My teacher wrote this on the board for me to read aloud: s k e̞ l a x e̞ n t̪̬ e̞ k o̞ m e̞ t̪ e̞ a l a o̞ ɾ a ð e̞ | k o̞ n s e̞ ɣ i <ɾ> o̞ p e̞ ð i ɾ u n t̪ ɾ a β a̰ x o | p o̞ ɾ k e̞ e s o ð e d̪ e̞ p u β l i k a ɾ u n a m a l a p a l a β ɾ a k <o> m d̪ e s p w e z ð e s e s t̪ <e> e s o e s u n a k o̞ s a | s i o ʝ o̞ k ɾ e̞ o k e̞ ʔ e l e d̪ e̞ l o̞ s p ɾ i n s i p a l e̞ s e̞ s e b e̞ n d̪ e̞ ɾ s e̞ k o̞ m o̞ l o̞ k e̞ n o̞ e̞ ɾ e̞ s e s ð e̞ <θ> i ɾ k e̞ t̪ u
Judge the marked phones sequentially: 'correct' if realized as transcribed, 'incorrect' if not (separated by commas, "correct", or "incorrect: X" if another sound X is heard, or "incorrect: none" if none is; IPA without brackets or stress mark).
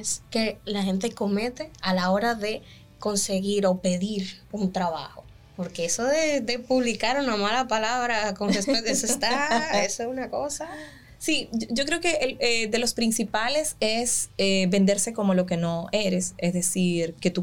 correct, correct, incorrect: a, incorrect: s